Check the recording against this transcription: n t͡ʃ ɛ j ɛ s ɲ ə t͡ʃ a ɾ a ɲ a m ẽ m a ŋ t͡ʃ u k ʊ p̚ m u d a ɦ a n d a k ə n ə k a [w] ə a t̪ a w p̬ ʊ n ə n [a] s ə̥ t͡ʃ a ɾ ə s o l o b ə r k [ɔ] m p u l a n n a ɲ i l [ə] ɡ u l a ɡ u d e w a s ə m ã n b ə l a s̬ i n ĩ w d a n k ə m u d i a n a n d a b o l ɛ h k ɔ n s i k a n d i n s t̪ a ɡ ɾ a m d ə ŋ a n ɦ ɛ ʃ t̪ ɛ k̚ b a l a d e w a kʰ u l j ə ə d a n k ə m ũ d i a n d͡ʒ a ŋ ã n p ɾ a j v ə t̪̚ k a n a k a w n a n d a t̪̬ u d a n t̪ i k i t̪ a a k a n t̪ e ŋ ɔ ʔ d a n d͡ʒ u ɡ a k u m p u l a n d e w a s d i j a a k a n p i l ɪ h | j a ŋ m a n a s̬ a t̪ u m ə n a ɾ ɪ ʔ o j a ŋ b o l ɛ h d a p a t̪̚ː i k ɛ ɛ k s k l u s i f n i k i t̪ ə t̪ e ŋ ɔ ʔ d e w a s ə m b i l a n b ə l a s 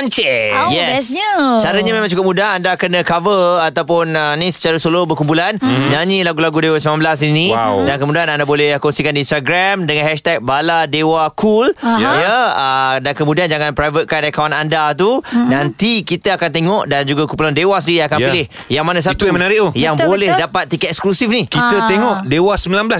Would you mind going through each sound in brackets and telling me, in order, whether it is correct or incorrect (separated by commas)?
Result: incorrect, incorrect, incorrect, incorrect